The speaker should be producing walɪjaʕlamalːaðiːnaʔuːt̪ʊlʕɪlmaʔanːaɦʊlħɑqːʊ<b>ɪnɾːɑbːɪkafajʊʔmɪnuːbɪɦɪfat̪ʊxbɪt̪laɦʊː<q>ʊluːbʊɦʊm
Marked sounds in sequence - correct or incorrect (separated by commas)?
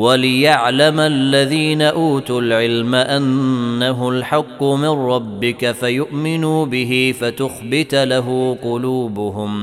incorrect, correct